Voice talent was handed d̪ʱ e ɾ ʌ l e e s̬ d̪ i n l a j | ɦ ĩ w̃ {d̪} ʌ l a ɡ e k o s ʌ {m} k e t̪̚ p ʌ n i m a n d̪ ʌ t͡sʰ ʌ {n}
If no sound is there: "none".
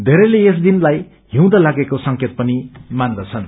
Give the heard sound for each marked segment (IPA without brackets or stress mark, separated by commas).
d̪, ŋ, n